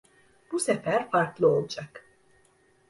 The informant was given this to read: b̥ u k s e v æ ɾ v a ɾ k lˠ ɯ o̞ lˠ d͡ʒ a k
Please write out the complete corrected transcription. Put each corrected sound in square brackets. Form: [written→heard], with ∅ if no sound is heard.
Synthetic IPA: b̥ u [k→∅] s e [v→f] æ ɾ [v→f] a ɾ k lˠ ɯ o̞ lˠ d͡ʒ a k

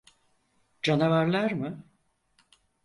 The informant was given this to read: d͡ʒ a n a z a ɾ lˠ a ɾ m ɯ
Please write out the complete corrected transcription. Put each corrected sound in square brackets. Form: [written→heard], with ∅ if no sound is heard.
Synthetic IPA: d͡ʒ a n a [z→v] a ɾ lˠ a ɾ m ɯ

